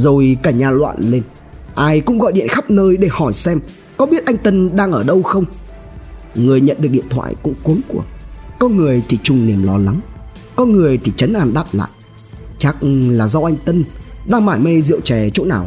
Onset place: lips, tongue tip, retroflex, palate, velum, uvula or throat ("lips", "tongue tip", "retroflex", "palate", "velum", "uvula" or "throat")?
tongue tip